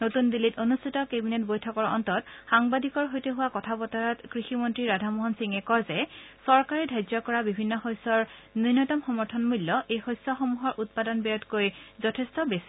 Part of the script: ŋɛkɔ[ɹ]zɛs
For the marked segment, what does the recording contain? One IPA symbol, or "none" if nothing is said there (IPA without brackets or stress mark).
ɹ